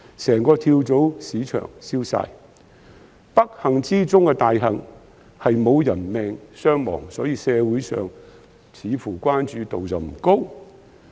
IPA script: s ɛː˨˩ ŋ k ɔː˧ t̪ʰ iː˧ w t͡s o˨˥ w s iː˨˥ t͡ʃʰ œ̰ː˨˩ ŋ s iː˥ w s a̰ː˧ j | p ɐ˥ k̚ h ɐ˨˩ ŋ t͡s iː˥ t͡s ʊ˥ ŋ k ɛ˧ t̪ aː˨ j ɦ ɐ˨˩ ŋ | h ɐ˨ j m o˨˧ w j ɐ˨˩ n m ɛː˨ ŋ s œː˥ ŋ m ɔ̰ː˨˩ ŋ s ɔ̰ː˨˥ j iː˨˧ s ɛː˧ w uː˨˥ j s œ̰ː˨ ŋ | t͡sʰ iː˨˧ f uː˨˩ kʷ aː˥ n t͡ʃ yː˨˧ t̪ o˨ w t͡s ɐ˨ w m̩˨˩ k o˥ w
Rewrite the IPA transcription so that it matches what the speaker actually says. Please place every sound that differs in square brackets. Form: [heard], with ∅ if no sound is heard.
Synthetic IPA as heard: s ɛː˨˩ ŋ k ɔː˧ t̪ʰ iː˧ w t͡s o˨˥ w s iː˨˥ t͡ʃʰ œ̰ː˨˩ ŋ s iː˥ w s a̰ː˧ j | p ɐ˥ k̚ h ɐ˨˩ ŋ t͡s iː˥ t͡s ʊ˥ ŋ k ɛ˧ t̪ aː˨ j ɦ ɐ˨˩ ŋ | h ɐ˨ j m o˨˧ w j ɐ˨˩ n m ɛː˨ ŋ s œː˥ ŋ m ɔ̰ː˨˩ ŋ s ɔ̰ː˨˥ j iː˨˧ s ɛː˧ w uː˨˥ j s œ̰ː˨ ŋ | t͡sʰ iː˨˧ f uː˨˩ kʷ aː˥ n t͡ʃ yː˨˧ t̪ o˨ w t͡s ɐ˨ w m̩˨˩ k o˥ w